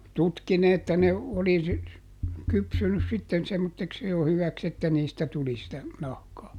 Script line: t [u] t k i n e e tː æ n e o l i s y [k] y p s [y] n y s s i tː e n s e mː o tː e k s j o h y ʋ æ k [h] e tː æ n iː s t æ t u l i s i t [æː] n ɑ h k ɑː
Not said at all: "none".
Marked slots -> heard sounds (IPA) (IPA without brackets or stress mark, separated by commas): u, k, y, s, æ